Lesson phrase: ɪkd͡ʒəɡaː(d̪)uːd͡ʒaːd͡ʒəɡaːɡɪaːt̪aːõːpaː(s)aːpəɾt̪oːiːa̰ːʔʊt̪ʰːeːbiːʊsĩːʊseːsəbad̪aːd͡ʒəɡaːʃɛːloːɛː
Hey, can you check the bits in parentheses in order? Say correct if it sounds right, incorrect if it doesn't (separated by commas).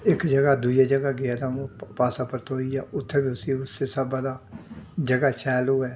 correct, correct